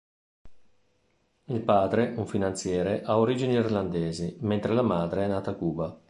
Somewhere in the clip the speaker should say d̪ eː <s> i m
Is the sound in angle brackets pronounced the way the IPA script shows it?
no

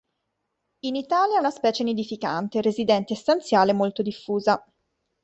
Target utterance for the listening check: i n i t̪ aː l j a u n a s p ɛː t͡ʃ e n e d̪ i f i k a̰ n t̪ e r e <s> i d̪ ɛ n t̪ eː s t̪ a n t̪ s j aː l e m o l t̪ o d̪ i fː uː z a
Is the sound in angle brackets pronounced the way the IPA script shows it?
no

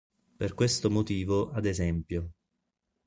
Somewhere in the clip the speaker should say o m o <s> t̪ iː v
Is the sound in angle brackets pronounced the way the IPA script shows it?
no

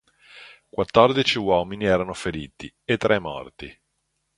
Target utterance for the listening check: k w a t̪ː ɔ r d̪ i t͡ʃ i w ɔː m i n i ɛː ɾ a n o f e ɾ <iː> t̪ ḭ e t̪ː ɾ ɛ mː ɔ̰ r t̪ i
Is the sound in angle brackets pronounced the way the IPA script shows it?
yes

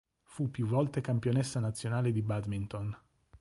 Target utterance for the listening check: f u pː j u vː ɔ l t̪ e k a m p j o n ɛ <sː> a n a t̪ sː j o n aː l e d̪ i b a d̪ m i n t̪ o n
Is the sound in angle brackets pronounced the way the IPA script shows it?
yes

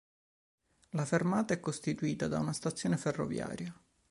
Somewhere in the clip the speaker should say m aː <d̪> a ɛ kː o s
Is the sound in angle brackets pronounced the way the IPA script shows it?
no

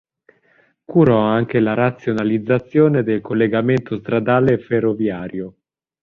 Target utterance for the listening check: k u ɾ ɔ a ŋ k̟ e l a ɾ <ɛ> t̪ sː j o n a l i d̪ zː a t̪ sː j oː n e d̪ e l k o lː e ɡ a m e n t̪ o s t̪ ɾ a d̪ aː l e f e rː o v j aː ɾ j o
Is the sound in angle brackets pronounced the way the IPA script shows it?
no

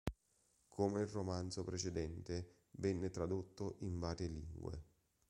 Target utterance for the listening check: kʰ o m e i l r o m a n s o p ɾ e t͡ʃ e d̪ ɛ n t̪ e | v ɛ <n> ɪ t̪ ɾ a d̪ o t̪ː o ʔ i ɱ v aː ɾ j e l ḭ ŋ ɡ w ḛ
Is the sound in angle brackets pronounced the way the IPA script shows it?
no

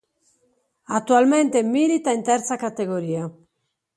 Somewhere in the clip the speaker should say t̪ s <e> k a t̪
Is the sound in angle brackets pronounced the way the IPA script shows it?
no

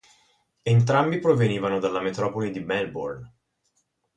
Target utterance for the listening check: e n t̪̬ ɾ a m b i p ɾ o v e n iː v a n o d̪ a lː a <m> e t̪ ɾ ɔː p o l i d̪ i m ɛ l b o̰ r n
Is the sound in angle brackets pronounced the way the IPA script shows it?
yes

